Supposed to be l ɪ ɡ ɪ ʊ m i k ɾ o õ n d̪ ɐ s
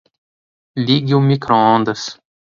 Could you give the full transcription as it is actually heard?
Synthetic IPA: l i ɡ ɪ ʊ m i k ɾ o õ n d̪ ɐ s